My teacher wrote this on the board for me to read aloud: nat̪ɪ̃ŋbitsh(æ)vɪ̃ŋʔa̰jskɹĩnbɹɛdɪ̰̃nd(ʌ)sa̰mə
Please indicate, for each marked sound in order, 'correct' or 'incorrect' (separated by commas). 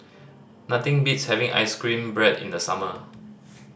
incorrect, incorrect